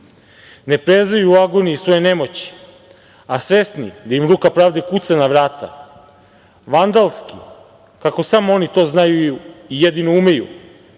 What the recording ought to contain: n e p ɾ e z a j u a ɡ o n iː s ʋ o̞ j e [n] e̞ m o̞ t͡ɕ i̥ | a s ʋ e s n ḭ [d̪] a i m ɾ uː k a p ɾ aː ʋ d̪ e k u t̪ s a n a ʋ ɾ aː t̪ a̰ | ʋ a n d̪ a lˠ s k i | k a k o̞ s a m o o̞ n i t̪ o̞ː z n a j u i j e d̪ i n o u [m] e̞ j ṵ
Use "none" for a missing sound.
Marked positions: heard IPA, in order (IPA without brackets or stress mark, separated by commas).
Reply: n, d̪, m